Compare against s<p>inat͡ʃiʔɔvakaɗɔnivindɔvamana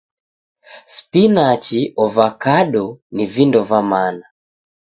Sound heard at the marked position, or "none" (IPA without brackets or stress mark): p